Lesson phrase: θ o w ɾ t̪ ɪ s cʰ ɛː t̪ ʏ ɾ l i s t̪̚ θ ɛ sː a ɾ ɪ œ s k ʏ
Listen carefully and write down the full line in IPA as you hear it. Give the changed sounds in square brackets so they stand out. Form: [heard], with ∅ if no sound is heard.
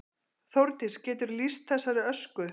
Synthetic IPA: θ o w ɾ t̪ ɪ s [c] ɛː t̪ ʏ ɾ l i s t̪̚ θ ɛ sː a ɾ ɪ œ s k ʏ